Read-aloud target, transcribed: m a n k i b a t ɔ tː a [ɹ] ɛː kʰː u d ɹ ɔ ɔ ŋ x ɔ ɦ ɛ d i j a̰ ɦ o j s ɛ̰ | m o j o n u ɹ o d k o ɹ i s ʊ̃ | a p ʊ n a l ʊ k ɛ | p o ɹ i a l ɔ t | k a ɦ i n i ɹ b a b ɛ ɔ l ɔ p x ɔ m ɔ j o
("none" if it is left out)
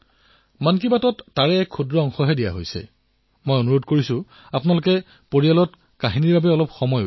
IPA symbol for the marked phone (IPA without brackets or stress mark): ɹ